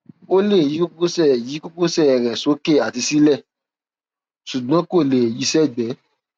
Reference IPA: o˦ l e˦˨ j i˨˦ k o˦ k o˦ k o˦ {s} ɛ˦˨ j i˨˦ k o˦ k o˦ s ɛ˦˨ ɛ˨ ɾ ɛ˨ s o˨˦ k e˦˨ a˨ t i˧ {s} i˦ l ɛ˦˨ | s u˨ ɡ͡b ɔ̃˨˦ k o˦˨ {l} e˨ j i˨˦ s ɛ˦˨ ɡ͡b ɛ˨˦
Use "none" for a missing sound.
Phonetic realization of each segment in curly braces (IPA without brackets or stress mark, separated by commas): s, s, l